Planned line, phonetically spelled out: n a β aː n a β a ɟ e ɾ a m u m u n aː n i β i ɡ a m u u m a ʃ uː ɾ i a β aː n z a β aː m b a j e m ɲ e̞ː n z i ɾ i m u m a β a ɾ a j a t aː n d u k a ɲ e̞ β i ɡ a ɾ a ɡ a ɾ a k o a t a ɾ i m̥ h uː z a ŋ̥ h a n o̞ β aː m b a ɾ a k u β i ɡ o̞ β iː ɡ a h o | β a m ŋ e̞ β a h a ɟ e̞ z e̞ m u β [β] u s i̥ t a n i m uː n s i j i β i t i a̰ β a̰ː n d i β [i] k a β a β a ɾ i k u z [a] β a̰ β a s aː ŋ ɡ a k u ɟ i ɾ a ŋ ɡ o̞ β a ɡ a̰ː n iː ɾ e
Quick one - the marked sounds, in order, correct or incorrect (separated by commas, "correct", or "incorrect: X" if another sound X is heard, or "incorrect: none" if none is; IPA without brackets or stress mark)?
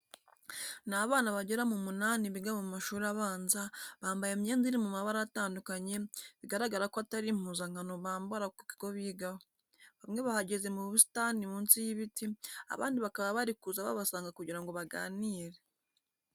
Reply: correct, incorrect: a, correct